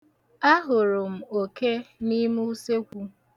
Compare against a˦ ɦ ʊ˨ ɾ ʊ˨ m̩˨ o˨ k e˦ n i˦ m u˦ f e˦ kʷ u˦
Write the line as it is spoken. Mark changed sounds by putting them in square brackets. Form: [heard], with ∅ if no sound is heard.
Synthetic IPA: a˦ ɦ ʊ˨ ɾ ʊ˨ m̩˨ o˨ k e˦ n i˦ m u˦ [s] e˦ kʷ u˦

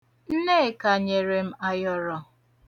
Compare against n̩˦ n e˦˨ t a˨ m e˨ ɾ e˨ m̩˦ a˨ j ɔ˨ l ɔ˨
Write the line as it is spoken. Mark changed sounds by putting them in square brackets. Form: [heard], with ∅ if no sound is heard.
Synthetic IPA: n̩˦ n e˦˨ [k] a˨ [ɲ] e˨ ɾ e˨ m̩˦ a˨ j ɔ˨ [ɾ] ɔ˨

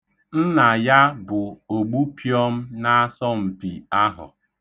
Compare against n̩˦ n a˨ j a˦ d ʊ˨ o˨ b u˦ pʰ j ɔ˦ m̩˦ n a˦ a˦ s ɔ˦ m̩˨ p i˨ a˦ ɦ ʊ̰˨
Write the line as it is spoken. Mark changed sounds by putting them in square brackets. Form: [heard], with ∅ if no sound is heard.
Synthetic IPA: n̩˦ n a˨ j a˦ [b] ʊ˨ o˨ [ɡ͡b] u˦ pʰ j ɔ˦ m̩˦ n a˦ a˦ s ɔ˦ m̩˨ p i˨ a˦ ɦ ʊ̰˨

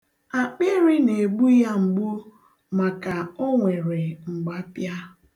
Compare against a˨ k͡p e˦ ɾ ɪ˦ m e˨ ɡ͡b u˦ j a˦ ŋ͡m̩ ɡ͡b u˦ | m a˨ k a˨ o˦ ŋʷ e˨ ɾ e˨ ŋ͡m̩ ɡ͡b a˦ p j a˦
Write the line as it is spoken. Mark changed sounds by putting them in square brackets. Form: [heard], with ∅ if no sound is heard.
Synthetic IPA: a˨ k͡p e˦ ɾ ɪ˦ [n] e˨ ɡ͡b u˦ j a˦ ŋ͡m̩ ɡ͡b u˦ | m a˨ k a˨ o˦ ŋʷ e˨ ɾ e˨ ŋ͡m̩ ɡ͡b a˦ p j a˦

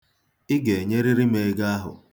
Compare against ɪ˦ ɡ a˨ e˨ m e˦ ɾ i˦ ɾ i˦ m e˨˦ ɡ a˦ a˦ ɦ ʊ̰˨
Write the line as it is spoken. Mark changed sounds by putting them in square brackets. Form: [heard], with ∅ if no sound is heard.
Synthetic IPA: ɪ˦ ɡ [e˨] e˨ [ɲ] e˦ ɾ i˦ ɾ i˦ m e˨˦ ɡ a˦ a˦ ɦ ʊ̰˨

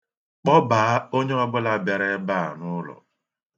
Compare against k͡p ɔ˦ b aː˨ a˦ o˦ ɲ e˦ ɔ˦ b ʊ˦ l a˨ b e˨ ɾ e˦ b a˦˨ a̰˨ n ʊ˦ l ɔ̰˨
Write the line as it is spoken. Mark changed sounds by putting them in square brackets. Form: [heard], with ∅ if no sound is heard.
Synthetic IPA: k͡p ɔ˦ b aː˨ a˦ o˦ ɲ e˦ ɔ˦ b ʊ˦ l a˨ b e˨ ɾ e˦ b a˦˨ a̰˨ n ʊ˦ l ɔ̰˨

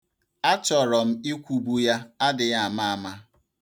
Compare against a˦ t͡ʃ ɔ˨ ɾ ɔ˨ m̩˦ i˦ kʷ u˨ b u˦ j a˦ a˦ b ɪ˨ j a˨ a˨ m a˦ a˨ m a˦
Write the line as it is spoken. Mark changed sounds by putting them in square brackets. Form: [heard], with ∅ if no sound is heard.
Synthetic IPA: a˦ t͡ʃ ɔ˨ ɾ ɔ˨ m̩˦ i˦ kʷ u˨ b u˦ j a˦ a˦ [d] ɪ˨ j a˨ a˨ m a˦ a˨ m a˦

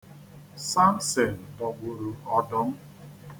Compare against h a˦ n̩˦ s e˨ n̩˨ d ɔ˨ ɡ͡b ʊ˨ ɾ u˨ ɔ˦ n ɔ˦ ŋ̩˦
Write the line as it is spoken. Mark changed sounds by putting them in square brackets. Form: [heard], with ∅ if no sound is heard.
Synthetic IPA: [s] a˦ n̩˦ s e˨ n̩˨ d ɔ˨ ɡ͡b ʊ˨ ɾ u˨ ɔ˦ [d] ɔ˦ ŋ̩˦

